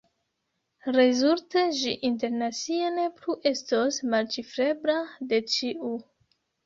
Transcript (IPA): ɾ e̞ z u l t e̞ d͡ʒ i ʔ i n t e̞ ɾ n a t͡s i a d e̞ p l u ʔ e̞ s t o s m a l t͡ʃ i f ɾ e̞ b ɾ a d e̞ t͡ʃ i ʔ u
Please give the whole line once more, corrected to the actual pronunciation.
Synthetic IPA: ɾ e̞ z u l t e̞ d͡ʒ i ʔ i n t e̞ ɾ n a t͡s i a n e̞ p l u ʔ e̞ s t o s m a l t͡ʃ i f ɾ e̞ b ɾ a d e̞ t͡ʃ i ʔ u